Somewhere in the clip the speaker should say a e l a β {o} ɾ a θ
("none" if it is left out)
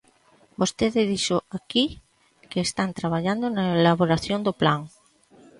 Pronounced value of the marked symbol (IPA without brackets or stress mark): o